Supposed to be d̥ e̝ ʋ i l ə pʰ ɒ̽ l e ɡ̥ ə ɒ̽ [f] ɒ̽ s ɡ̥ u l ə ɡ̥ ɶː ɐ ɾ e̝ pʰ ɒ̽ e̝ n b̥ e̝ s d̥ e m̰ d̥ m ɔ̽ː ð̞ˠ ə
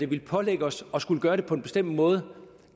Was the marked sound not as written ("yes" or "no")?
yes